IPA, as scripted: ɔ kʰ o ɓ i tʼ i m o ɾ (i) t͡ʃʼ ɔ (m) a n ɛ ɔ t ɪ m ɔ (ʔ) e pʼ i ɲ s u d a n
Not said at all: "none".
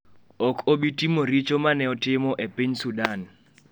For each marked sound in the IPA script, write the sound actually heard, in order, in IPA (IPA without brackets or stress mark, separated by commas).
i, m, ʔ